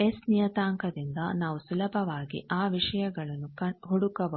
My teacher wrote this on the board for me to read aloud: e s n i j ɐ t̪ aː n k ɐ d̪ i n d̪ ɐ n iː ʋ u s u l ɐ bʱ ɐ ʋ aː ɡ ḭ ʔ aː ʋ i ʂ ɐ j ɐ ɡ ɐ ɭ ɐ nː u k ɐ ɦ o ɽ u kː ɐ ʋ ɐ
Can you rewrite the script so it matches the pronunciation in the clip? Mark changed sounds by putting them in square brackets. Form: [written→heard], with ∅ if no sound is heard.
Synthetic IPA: e s n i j ɐ t̪ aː [n→ŋ] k ɐ d̪ i n d̪ ɐ n [iː→aː] ʋ u s u l ɐ bʱ ɐ ʋ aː ɡ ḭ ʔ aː ʋ i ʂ ɐ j ɐ ɡ ɐ ɭ ɐ nː u k ɐ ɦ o ɽ u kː ɐ ʋ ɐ

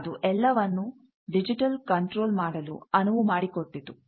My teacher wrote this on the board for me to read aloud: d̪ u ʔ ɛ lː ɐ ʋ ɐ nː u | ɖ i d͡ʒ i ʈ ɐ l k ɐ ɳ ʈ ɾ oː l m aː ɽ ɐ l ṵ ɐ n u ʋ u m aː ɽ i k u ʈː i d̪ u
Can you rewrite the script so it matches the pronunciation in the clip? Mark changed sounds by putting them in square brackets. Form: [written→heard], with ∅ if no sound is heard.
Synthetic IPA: d̪ u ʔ ɛ lː ɐ ʋ ɐ nː u | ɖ i d͡ʒ i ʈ ɐ l k ɐ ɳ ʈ ɾ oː l m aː ɽ ɐ l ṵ ɐ n u ʋ u m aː ɽ i k [u→o] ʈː i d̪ u

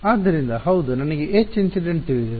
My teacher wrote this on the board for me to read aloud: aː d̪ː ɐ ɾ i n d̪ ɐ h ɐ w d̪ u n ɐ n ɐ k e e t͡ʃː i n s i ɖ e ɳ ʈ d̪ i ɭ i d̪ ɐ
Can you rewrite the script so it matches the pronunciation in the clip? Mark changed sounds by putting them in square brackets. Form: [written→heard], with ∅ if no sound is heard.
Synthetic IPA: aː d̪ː ɐ ɾ i n d̪ ɐ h ɐ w d̪ u n ɐ n ɐ [k→ɡ] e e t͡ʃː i n s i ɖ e ɳ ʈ [d̪→t̪] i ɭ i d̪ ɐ

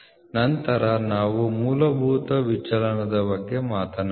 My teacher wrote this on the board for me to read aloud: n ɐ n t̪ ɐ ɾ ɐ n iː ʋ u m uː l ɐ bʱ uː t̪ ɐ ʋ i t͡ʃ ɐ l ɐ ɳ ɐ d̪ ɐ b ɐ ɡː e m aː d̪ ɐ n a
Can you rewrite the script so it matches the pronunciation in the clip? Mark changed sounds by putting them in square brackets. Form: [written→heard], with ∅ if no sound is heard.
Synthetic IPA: n ɐ n t̪ ɐ ɾ ɐ n [iː→aː] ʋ u m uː l ɐ bʱ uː t̪ ɐ ʋ i t͡ʃ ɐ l ɐ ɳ ɐ d̪ ɐ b ɐ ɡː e m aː [d̪→t̪] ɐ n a

